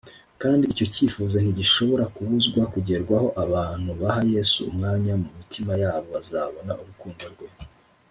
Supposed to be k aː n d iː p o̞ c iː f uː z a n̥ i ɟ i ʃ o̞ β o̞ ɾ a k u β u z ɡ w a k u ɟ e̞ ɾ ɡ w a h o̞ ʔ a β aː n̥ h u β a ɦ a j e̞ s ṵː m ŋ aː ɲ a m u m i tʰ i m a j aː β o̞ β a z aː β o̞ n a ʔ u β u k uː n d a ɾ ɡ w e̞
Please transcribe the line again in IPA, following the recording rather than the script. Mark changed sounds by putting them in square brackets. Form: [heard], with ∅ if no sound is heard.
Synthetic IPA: k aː n d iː [c] o̞ c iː f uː z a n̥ i ɟ i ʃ o̞ β o̞ ɾ a k u β u z ɡ w a k u ɟ e̞ ɾ ɡ w a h o̞ ʔ a β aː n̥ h u β a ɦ a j e̞ s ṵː m ŋ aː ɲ a m u m i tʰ i m a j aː β o̞ β a z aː β o̞ n a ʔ u β u k uː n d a ɾ ɡ w e̞